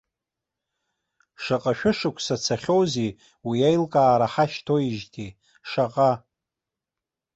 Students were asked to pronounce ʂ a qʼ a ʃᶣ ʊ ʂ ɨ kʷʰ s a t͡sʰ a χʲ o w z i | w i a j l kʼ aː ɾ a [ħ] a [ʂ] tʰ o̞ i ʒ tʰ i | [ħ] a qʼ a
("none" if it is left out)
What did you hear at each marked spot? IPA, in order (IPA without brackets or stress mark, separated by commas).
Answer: ħ, ʃ, ʂ